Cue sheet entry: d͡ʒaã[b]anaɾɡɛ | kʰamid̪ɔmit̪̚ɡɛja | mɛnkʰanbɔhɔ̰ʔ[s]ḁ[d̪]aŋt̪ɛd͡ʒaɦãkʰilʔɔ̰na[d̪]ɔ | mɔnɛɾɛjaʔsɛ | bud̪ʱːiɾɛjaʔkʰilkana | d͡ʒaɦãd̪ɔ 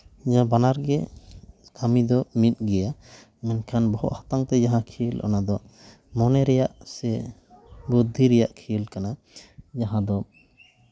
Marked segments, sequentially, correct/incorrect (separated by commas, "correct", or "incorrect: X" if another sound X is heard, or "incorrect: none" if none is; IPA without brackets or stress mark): correct, incorrect: h, incorrect: t̪, correct